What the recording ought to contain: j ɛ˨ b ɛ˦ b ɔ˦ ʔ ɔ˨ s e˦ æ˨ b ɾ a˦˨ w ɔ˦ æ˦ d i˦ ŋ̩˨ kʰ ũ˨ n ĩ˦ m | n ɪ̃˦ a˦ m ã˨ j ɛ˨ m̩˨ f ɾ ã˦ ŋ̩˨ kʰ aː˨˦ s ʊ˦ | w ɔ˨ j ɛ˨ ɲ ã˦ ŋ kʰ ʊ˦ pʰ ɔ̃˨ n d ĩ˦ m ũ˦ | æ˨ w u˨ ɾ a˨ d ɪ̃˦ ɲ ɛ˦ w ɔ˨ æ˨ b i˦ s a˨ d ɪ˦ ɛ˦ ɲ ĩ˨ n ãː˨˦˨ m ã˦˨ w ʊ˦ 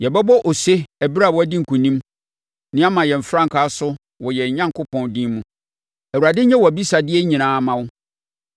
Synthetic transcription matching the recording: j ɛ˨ b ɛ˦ b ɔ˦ ʔ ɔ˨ s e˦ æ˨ b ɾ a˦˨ w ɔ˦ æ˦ d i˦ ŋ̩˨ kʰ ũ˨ n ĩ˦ m | n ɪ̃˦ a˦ m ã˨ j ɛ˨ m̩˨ f ɾ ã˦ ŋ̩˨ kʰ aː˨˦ s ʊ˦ | w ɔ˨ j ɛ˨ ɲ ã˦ ŋ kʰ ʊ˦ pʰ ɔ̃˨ n d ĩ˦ m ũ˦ | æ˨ w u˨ ɾ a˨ d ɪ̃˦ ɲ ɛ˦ w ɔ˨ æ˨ b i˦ s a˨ d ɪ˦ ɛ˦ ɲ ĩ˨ n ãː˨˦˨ m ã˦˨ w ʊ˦